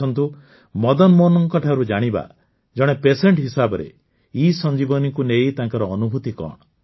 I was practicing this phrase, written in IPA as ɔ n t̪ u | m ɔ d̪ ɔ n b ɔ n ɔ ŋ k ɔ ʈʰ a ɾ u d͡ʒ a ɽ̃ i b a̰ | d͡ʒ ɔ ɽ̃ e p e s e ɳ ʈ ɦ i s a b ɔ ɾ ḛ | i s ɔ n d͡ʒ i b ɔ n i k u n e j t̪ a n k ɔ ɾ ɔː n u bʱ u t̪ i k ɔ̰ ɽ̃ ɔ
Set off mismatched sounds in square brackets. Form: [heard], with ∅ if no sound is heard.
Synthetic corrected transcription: ɔ n t̪ u | m ɔ d̪ ɔ n [m] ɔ n ɔ ŋ k ɔ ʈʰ a ɾ u d͡ʒ a ɽ̃ i b a̰ | d͡ʒ ɔ ɽ̃ e p e s e ɳ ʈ ɦ i s a b ɔ ɾ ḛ | i s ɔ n d͡ʒ i b ɔ n i k u n e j t̪ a [ŋ] k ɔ ɾ ɔː n u bʱ u t̪ i k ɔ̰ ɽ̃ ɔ